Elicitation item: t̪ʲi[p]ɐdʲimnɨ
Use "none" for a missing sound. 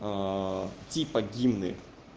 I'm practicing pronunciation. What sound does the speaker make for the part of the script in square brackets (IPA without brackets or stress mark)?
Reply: p